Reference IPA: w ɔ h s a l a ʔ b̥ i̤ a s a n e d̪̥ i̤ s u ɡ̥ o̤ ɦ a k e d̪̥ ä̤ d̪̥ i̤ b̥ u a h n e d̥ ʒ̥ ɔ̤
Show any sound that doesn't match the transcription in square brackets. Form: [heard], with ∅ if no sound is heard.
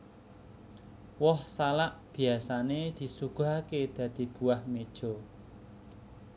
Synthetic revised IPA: w ɔ h s a l a ʔ b̥ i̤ a s a n e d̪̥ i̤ s u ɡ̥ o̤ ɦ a k e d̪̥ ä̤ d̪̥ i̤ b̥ u a h [m] e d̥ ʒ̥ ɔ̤